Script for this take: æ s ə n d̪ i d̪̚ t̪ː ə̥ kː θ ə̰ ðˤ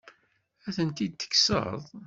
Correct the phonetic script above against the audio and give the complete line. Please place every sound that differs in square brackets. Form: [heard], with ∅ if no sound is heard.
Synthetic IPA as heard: æ [θ] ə n [t̪] i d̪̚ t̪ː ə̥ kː [s] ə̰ ðˤ